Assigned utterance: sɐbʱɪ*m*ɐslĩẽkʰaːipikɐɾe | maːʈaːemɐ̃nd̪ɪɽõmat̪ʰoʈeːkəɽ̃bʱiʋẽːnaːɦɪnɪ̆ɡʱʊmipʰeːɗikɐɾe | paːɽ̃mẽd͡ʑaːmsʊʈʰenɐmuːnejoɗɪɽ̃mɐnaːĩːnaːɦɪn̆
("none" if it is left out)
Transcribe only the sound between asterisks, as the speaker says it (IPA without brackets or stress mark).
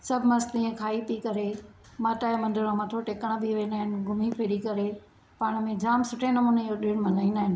m